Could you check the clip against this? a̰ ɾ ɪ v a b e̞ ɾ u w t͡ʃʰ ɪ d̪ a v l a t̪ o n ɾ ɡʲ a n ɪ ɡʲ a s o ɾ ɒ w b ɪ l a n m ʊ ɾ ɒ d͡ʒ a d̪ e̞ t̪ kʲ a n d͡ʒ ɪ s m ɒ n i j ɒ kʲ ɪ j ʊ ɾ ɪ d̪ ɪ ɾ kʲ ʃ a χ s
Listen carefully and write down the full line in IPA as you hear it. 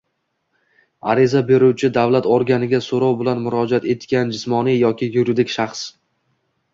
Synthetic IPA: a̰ ɾ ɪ z a b e̞ ɾ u w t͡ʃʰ ɪ d̪ a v l a t̪ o ɾ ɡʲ a n ɪ ɡʲ a s o ɾ ɒ w b ɪ l a n m ʊ ɾ ɒ d͡ʒ a t̪ e̞ t̪ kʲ a n d͡ʒ ɪ s m ɒ n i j ɒ kʲ ɪ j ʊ ɾ ɪ d̪ ɪ kʲ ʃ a χ s